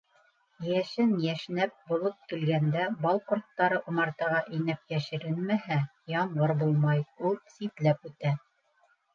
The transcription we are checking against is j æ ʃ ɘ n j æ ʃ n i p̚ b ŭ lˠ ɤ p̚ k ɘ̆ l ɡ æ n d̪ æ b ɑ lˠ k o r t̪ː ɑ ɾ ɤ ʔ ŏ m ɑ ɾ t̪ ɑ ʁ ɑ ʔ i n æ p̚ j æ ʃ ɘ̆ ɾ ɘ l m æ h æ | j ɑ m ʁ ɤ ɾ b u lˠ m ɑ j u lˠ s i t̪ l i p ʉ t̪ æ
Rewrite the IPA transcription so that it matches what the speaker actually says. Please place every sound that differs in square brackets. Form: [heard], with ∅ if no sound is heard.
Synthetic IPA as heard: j æ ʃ ɘ n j æ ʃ n [æ] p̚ b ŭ lˠ ɤ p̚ k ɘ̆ l ɡ æ n d̪ æ b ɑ lˠ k o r t̪ː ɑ ɾ ɤ ʔ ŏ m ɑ ɾ t̪ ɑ ʁ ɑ ʔ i n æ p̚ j æ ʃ ɘ̆ ɾ ɘ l m æ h æ | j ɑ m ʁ ɤ ɾ b u lˠ m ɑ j u lˠ s i t̪ l [æ] p ʉ t̪ æ